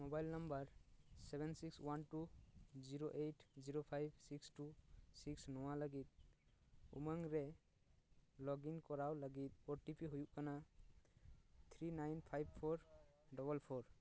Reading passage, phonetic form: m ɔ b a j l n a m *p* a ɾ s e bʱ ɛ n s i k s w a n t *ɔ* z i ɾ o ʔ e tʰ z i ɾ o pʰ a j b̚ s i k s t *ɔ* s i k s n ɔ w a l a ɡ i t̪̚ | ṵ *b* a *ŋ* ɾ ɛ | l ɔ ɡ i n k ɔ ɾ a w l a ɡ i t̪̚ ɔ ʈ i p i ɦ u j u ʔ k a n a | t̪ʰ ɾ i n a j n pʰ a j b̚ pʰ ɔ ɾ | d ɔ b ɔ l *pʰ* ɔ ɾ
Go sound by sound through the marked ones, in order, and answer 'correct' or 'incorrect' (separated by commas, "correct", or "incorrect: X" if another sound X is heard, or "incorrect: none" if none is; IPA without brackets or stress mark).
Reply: incorrect: b, incorrect: u, incorrect: u, incorrect: m, correct, correct